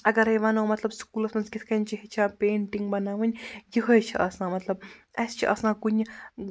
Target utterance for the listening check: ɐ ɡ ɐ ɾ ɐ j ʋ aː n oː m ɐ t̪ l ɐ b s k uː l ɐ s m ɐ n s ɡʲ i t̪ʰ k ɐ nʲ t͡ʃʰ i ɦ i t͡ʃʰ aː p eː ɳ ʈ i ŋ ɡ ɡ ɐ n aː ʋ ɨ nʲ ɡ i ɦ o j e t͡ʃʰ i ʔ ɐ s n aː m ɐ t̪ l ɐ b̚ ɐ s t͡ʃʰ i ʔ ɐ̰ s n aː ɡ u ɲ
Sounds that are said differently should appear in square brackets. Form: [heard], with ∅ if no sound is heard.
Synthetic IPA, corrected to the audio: ɐ ɡ ɐ ɾ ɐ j ʋ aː n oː m ɐ t̪ l ɐ b s k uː l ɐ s m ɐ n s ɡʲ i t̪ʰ k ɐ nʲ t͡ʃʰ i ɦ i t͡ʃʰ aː p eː ɳ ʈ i ŋ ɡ [b] ɐ n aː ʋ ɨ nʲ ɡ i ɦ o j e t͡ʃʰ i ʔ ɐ s n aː m ɐ t̪ l ɐ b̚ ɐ s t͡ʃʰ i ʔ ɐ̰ s n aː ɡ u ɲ